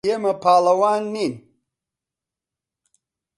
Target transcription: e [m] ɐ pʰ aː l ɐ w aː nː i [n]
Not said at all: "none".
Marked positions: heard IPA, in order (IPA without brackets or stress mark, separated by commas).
m, n